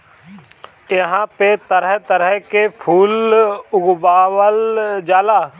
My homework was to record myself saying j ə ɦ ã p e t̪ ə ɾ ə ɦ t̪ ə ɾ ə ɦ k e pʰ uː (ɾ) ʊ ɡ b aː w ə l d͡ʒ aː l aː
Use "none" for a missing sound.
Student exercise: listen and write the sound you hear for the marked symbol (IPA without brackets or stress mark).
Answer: l